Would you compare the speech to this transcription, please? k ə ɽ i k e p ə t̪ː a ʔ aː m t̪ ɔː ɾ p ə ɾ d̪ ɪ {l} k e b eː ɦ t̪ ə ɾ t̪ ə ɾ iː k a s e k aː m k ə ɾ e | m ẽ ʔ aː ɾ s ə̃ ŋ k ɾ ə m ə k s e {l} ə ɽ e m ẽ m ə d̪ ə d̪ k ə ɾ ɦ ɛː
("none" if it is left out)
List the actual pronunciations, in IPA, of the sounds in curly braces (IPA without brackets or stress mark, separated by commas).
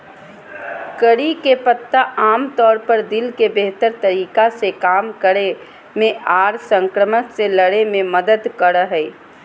l, l